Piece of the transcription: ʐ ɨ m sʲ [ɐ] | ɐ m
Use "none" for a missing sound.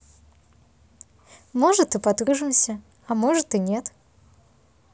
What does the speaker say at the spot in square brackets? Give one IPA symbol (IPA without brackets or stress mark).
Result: ɐ